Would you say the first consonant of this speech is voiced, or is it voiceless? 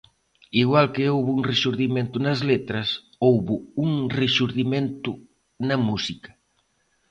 voiced